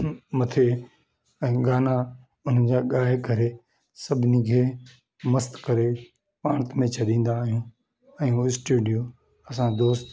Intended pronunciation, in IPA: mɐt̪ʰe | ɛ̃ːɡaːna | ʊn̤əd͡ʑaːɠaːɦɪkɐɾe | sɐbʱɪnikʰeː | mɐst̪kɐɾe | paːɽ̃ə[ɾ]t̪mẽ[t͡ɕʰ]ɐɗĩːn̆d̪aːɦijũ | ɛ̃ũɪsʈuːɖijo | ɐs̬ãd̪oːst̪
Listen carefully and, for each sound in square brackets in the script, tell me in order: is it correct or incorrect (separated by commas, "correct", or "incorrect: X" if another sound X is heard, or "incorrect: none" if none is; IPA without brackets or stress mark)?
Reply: incorrect: none, correct